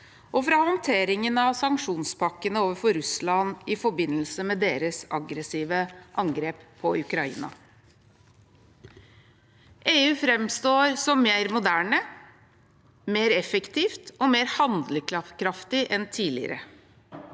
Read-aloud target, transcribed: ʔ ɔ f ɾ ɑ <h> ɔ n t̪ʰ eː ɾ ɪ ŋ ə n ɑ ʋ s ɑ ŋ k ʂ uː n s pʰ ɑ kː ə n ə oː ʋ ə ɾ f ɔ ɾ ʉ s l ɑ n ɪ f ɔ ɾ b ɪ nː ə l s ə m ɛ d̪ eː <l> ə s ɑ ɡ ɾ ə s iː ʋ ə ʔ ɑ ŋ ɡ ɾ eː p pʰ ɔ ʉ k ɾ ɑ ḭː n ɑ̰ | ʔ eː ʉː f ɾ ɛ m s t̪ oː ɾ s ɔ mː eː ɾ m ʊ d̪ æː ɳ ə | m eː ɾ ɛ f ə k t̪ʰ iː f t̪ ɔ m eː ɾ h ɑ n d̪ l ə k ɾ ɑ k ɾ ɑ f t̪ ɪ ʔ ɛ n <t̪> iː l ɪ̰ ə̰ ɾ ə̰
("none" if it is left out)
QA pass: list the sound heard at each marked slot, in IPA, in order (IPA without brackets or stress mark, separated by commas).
h, ɾ, t̪ʰ